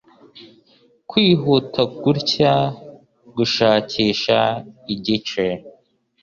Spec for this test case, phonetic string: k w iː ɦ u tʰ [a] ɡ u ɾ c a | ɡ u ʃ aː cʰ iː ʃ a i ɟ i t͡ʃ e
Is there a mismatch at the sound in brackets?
no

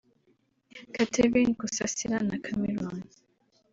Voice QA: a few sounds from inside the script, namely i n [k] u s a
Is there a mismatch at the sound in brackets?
no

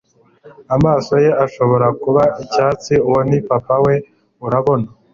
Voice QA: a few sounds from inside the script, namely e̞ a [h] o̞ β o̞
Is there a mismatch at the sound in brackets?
yes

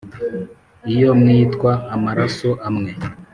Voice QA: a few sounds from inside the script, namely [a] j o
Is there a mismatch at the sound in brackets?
yes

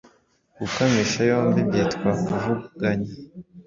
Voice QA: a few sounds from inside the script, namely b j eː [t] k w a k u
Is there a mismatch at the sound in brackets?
no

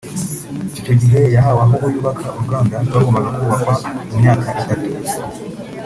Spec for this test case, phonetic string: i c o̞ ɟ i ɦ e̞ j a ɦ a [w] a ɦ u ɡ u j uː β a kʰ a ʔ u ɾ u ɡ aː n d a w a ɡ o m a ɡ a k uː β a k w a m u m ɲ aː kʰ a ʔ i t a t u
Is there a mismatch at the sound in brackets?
no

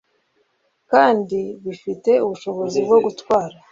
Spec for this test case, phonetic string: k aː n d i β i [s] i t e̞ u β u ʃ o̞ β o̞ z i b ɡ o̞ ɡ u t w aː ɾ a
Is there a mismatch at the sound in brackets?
yes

